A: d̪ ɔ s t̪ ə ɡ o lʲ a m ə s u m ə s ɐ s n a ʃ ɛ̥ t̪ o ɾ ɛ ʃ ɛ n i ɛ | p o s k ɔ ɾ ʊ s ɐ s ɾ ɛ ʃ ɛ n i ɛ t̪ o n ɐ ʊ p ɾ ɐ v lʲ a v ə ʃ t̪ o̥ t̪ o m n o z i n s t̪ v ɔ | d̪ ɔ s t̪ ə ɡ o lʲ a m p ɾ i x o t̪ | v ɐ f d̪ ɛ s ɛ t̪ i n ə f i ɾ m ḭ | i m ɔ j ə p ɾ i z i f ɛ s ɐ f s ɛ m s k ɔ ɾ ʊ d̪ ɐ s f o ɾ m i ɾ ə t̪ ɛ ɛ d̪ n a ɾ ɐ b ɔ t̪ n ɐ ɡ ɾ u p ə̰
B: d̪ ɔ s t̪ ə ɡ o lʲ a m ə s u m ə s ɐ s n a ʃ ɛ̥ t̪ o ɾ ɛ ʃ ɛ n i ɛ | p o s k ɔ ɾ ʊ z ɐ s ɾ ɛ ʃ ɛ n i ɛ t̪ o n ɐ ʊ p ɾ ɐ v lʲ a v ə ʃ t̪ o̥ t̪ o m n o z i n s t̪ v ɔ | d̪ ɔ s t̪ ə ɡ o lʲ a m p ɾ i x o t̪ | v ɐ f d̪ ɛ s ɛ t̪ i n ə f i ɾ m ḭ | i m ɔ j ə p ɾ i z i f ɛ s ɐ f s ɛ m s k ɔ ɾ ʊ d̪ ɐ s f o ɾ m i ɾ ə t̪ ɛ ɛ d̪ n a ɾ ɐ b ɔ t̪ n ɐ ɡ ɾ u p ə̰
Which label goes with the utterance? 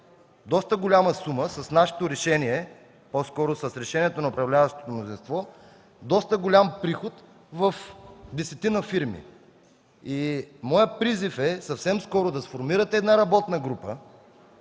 A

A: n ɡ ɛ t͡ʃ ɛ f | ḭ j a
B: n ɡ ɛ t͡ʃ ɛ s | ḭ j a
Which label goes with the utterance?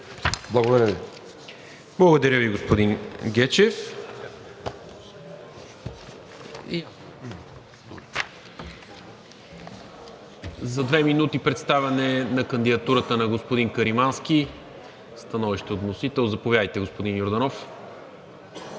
A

